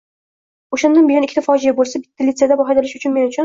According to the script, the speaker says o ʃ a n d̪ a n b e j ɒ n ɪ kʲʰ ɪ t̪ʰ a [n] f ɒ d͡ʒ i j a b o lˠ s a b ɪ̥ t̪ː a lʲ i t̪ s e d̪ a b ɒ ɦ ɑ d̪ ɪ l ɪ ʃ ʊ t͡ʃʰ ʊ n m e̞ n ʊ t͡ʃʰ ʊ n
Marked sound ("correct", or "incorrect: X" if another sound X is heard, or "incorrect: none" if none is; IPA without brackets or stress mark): incorrect: none